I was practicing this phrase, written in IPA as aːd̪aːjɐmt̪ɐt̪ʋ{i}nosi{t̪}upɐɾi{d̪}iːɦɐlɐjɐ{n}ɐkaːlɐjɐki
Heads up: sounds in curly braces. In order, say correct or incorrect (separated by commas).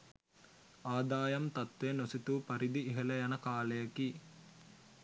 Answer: incorrect, correct, correct, correct